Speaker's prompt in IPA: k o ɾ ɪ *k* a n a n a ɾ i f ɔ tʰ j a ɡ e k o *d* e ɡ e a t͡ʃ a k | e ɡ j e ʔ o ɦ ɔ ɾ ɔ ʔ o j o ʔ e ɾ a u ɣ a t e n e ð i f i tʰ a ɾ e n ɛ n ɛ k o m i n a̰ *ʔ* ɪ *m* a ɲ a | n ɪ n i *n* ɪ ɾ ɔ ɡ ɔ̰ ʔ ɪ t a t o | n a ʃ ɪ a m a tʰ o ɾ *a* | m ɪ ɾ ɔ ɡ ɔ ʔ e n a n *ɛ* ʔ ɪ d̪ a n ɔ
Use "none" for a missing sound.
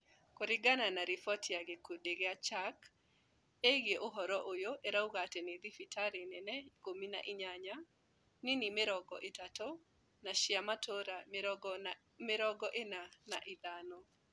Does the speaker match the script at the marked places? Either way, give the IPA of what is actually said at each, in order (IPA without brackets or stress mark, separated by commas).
ɡ, d, ʔ, ɲ, m, a, a